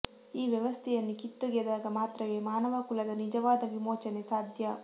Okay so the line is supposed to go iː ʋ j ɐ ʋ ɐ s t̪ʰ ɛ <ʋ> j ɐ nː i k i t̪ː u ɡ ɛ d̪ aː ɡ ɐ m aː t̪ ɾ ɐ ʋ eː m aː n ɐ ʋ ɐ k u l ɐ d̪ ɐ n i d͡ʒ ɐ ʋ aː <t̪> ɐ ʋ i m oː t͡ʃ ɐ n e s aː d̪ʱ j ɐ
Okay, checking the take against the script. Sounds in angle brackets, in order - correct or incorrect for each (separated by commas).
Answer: incorrect, incorrect